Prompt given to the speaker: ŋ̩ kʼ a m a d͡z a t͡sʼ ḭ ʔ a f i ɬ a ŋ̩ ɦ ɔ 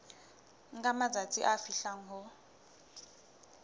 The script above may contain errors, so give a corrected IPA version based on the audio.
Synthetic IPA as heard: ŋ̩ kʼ a m a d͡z a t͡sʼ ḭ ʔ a f i ɬ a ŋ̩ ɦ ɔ